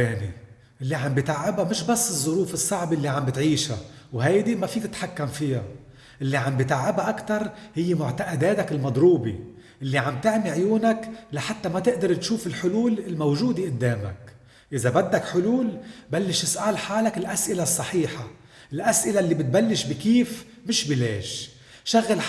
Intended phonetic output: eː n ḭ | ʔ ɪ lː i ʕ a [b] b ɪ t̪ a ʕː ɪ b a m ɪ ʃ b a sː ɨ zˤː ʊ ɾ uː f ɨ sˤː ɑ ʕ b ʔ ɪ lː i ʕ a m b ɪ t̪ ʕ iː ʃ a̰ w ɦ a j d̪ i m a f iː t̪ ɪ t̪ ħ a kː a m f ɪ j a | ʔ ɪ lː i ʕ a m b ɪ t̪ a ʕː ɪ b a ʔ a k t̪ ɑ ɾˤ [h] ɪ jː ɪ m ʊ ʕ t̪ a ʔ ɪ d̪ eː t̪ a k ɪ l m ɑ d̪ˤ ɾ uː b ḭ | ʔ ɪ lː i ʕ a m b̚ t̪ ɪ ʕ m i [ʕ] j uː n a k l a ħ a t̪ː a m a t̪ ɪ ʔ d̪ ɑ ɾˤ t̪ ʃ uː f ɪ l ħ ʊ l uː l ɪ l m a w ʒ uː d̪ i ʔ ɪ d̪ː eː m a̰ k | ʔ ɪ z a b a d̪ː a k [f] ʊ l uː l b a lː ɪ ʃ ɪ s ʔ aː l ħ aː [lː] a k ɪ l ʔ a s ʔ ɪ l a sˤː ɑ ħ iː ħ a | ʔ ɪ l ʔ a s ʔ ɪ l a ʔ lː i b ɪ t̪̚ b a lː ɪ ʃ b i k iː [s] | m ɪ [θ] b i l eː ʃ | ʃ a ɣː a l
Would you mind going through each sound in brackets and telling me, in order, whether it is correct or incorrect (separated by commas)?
incorrect, correct, correct, incorrect, incorrect, incorrect, incorrect